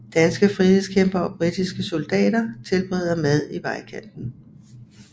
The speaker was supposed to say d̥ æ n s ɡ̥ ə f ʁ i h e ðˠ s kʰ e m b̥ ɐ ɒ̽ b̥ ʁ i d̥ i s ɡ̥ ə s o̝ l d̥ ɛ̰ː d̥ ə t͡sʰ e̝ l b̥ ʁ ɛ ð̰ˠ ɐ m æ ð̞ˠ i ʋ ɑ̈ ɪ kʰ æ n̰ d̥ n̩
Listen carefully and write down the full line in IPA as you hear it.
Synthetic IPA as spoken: d̥ æ n s ɡ̥ ə f ʁ i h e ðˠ s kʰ e m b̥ ɐ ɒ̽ b̥ ʁ i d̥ i s ɡ̥ ə s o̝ l d̥ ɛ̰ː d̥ ɐ t͡sʰ e̝ l b̥ ʁ ɛ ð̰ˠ ɐ m æ ð̞ˠ i ʋ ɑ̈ ɪ kʰ æ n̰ d̥ n̩